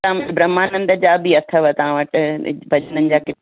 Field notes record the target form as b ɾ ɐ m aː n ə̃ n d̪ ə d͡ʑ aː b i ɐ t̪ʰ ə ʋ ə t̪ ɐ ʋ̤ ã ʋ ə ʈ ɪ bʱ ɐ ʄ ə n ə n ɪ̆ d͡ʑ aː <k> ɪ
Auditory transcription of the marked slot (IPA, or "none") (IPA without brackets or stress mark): k